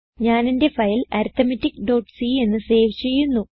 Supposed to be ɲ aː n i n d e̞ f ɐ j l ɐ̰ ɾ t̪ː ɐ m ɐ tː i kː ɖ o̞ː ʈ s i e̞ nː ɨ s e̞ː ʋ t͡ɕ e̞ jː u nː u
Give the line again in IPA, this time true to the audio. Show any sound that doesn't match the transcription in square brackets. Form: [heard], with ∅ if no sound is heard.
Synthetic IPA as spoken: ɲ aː n i n d e̞ f ɐ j l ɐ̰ ɾ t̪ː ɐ m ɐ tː i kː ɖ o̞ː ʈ s i e̞ nː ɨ s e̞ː ʋ t͡ɕ e̞ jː u nː u